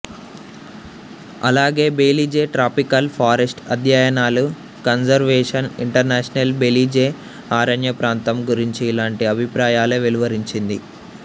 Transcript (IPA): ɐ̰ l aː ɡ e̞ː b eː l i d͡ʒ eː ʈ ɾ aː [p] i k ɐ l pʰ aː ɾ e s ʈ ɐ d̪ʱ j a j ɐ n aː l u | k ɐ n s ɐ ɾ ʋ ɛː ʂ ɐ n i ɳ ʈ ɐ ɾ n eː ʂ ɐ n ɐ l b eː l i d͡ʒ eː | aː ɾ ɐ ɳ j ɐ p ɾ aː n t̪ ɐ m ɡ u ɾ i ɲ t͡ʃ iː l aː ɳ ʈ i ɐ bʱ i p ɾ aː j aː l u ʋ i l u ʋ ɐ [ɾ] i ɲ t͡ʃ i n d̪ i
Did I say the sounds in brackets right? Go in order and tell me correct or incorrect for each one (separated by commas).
correct, correct